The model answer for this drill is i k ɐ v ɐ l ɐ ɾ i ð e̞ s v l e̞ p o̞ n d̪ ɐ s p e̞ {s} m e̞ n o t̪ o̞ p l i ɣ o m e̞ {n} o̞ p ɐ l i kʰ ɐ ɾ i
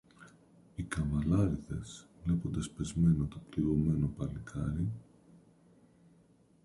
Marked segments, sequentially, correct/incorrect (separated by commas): incorrect, correct